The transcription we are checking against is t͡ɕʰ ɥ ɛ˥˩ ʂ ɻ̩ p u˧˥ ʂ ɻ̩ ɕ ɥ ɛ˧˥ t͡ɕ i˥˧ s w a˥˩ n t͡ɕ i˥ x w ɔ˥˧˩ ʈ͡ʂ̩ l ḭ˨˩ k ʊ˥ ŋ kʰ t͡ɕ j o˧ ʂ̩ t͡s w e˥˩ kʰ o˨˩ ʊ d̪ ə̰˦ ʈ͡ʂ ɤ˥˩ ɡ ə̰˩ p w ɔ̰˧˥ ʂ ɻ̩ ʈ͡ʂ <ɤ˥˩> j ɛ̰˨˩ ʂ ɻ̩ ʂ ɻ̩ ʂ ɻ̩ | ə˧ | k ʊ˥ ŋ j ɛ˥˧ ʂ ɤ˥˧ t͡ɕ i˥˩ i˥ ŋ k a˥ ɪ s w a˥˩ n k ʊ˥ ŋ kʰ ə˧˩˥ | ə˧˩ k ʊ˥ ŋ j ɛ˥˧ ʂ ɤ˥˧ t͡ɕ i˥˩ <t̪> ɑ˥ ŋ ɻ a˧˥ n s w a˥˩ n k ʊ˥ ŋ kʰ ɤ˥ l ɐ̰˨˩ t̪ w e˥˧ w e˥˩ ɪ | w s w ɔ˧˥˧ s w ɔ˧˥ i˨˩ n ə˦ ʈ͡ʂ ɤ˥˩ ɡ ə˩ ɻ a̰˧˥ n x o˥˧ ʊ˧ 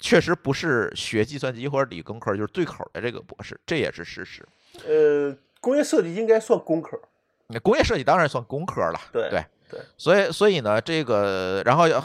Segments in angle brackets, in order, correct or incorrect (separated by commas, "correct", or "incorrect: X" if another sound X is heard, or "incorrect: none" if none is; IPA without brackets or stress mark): correct, correct